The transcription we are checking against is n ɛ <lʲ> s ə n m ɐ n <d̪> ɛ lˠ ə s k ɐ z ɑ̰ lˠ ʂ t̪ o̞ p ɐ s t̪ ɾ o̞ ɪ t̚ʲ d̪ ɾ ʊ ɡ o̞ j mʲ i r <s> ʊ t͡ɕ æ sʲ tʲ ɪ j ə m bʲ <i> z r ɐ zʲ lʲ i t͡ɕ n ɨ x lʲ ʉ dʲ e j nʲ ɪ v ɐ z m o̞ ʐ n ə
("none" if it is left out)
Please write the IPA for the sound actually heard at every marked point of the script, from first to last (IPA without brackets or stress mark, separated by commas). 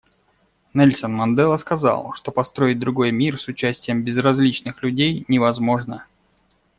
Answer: lʲ, d̪, s, ɪ